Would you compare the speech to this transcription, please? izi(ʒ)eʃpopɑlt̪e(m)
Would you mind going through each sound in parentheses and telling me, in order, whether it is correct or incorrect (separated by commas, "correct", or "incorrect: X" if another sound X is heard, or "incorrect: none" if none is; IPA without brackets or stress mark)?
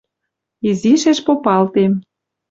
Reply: incorrect: ʃ, correct